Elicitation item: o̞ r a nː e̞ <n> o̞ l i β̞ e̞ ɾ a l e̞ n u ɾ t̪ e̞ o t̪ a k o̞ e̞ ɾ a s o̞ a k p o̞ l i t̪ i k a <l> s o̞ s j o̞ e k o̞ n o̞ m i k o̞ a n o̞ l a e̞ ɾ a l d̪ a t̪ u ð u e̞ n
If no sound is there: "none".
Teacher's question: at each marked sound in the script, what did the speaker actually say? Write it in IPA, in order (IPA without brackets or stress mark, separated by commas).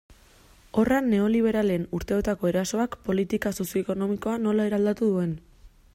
none, none